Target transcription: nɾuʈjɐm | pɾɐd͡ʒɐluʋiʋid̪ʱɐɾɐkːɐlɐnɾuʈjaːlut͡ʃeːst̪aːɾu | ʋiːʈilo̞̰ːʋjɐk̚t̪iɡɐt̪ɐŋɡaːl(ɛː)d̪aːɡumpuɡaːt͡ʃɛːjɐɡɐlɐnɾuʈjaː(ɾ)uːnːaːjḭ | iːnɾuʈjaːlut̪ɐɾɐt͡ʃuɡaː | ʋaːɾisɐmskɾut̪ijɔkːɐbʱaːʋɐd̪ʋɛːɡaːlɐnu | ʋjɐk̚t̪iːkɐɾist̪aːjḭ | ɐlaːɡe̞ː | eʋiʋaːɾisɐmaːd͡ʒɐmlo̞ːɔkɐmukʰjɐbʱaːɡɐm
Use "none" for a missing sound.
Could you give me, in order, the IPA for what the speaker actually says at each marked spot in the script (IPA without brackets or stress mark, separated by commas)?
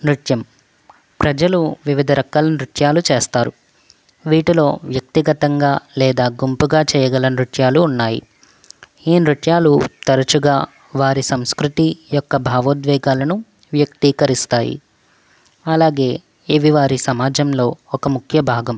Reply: ɛː, l